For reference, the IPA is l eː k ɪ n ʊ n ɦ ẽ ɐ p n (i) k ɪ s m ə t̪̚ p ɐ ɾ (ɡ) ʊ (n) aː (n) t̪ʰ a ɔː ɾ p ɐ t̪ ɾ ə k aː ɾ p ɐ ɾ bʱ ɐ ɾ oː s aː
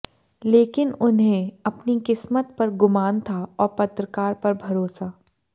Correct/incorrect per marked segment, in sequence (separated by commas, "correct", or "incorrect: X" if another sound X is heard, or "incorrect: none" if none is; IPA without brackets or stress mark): correct, correct, incorrect: m, correct